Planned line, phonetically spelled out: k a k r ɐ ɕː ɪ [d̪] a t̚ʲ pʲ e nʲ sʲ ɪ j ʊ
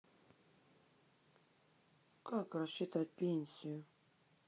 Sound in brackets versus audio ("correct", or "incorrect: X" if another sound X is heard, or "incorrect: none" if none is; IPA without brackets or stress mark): incorrect: t̪